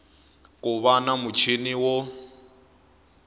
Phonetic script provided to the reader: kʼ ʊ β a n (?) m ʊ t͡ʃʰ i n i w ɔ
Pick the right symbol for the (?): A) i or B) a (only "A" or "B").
B